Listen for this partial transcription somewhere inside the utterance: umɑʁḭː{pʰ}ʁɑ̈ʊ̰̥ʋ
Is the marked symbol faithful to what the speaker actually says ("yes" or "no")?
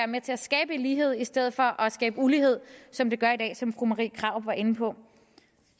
no